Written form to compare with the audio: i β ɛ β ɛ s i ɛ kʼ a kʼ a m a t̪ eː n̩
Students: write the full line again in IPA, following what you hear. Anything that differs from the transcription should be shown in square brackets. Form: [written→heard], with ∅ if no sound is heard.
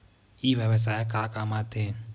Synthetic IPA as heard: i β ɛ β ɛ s [i→a] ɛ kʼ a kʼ a m a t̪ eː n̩